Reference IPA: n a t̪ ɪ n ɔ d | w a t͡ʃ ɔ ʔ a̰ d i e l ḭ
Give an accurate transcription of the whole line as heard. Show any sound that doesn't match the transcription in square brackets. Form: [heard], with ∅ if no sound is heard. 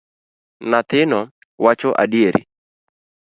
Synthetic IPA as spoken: n a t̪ ɪ n ɔ [∅] | w a t͡ʃ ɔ ʔ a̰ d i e [ɾ] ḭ